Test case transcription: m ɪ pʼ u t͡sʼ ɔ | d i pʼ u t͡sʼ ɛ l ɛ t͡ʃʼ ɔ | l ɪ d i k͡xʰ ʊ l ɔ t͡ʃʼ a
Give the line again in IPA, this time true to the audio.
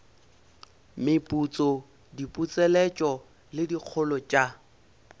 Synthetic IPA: m ɪ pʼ u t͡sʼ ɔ | d i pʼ u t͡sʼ ɛ l ɛ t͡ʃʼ ɔ | l ɪ d i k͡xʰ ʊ l ɔ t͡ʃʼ a